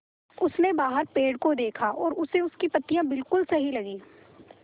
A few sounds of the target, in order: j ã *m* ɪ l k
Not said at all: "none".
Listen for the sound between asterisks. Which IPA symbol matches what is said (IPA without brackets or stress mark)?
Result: b